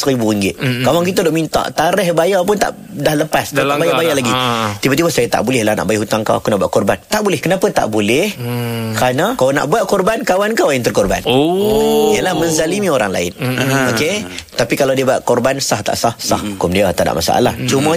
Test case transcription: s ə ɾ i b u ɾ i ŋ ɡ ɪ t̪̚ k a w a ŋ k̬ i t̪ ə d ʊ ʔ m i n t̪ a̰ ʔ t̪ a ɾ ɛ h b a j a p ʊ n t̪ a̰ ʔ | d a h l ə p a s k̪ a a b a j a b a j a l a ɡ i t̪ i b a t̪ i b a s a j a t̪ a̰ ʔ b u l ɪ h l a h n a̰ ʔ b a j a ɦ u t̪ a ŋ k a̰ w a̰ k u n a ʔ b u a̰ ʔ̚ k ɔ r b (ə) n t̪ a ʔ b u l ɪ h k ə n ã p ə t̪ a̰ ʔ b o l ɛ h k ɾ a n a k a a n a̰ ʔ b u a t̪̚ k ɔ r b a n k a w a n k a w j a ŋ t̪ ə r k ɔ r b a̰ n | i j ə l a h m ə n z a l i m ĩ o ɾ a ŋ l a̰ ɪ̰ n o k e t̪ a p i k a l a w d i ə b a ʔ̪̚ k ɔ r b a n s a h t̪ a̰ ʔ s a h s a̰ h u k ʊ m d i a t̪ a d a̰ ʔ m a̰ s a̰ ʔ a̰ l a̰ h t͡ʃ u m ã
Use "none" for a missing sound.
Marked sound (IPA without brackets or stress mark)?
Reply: a